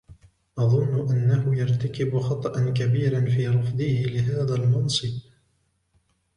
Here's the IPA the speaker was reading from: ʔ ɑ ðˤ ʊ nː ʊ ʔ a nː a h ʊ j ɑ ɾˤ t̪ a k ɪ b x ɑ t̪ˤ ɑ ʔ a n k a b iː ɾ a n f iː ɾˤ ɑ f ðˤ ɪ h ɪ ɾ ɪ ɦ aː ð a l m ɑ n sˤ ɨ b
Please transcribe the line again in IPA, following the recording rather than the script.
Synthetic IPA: ʔ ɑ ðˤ ʊ nː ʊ ʔ a nː a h ʊ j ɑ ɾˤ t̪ a k ɪ b x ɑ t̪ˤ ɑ ʔ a n k a b iː ɾ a n f iː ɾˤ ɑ f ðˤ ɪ h ɪ l ɪ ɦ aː ð a l m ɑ n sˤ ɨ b